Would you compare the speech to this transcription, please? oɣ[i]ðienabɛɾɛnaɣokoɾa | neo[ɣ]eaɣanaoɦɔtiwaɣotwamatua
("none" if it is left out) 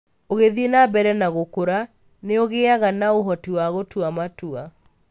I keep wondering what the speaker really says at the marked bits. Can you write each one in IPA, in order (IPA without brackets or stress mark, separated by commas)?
e, ɣ